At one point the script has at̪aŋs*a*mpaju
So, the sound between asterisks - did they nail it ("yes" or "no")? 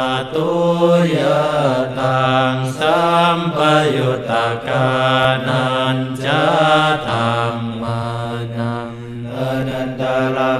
yes